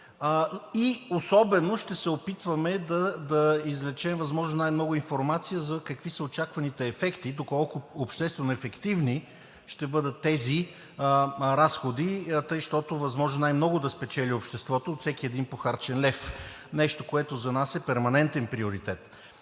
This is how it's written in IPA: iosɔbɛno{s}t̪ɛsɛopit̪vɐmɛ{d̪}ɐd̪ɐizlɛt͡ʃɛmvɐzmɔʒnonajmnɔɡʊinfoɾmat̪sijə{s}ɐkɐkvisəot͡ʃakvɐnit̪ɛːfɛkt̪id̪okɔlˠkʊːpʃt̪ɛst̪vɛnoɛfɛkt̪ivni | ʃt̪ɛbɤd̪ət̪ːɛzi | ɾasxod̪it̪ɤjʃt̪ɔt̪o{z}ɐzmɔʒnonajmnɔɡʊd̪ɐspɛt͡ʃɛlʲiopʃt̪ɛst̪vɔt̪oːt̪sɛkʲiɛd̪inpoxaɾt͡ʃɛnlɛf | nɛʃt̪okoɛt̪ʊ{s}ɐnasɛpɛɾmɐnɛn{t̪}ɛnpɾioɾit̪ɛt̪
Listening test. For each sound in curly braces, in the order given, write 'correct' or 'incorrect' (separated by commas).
incorrect, correct, incorrect, incorrect, incorrect, correct